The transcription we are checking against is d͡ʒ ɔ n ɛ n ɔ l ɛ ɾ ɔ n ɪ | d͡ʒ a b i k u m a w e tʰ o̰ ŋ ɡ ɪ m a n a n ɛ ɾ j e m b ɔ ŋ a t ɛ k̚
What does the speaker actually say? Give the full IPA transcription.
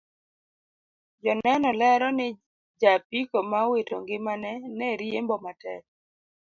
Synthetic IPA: d͡ʒ ɔ n ɛ n ɔ l ɛ ɾ ɔ n ɪ | d͡ʒ a p i k o m a w e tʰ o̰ ŋ ɡ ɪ m a n ɛ n ɛ ɾ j e m b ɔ m a t ɛ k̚